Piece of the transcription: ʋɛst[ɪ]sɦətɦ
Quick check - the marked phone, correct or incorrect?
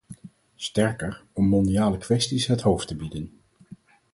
incorrect: i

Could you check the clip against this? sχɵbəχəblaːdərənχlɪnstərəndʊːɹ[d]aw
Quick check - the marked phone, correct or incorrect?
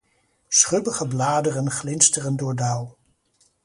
correct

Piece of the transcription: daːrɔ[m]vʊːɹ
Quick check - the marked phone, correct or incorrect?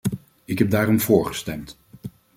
correct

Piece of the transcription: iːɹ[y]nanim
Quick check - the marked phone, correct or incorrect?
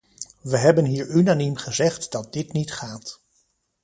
correct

